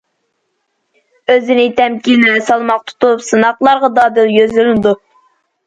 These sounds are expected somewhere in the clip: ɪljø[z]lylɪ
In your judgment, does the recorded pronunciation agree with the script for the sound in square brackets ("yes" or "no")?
yes